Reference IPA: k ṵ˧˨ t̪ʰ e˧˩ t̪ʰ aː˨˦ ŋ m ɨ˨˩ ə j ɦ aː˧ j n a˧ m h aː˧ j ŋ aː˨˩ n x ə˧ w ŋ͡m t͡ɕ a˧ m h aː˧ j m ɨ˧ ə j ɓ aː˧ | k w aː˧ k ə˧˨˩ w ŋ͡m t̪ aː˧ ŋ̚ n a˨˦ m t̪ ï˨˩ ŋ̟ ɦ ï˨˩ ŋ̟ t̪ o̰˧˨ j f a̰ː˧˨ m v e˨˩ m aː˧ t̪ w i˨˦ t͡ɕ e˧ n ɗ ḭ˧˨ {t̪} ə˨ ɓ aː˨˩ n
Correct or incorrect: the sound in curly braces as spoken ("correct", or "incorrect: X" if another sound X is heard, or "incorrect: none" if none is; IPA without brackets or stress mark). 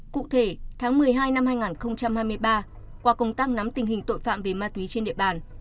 incorrect: none